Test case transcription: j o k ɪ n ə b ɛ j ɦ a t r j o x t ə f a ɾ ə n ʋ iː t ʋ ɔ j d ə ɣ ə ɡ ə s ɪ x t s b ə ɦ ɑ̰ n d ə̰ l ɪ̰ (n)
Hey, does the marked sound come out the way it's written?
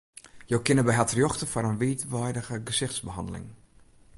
no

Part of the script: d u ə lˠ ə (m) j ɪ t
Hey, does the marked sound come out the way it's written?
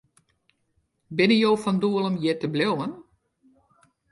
yes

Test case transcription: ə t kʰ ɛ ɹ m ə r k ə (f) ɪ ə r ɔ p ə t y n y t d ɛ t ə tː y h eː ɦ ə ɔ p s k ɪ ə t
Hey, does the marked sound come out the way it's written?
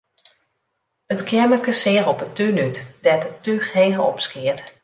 no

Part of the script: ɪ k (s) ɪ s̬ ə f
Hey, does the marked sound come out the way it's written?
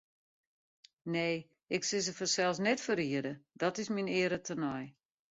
yes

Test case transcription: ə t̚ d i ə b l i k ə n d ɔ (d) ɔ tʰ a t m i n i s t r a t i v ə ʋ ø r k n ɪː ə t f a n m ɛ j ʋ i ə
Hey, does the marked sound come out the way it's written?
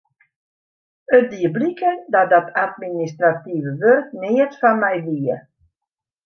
yes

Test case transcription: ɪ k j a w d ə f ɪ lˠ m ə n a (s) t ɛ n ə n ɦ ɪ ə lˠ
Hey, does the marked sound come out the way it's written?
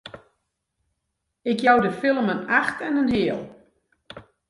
no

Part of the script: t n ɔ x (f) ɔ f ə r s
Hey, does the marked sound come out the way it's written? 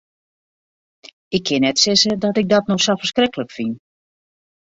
no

